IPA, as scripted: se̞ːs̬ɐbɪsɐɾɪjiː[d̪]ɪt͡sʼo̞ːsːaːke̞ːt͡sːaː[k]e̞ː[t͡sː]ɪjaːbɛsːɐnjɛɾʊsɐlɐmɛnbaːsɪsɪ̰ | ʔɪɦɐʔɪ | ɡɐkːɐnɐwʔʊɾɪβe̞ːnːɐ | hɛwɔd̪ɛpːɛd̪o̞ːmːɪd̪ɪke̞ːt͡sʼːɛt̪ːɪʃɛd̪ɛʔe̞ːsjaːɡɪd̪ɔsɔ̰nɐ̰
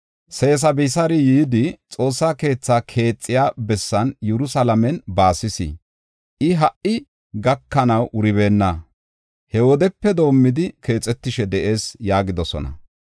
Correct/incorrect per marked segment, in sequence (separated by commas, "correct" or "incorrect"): correct, incorrect, incorrect